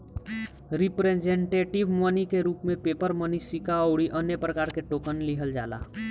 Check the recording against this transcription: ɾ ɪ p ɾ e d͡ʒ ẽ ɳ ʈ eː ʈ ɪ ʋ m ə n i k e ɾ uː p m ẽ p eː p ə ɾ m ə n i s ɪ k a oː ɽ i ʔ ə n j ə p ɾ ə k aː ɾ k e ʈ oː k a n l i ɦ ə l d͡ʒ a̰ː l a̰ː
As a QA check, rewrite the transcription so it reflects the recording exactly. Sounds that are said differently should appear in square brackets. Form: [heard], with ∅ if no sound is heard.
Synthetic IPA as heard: ɾ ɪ p ɾ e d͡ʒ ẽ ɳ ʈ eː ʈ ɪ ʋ m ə n i k e ɾ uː p m ẽ p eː p ə ɾ m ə n i s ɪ k a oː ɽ i ʔ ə n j ə p ɾ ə k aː ɾ k e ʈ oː k [ə] n l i ɦ ə l d͡ʒ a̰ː l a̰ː